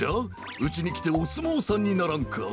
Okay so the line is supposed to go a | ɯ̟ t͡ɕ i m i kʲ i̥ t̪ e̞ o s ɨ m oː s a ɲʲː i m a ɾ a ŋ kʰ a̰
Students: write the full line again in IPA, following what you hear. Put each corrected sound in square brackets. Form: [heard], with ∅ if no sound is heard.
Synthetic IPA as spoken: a | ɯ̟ t͡ɕ i [ɲ] i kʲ i̥ t̪ e̞ o s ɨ m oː s a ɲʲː i [n] a ɾ a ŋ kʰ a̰